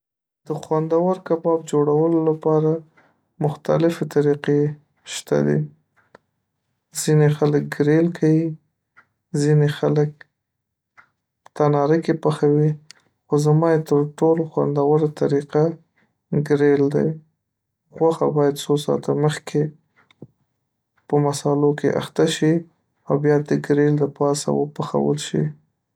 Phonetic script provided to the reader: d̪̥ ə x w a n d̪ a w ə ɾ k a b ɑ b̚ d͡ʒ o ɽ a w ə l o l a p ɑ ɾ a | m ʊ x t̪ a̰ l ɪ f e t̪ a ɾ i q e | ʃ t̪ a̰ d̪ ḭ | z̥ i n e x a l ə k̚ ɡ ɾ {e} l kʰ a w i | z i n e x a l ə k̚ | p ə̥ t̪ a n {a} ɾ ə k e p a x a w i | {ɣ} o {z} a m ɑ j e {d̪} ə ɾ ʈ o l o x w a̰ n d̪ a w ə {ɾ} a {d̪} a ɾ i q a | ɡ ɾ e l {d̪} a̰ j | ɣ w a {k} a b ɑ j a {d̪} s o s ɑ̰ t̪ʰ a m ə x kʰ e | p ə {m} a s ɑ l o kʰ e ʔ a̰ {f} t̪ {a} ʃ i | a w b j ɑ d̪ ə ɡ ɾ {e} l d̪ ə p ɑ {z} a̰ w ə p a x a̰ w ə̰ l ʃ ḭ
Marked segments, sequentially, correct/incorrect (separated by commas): correct, incorrect, incorrect, correct, incorrect, correct, incorrect, correct, incorrect, correct, correct, incorrect, correct, correct, incorrect